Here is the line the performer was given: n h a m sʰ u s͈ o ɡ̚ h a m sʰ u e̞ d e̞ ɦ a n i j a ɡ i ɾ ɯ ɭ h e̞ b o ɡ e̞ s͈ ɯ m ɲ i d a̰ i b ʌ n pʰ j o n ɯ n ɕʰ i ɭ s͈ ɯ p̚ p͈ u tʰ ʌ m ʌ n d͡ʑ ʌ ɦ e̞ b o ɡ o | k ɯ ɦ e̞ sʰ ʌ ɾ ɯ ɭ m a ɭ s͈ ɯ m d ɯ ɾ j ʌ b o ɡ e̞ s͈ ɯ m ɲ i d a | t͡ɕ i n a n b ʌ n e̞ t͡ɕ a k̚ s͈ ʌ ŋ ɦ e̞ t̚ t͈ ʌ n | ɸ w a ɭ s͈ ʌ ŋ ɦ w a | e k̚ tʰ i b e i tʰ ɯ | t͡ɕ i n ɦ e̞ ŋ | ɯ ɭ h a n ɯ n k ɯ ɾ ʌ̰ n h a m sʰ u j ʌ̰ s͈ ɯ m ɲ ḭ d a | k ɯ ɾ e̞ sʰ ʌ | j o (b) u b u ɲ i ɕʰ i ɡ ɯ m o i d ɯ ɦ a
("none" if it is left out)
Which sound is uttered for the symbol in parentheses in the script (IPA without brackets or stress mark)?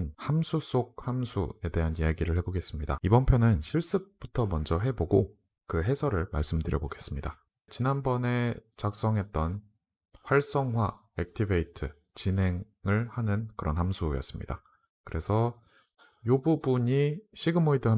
b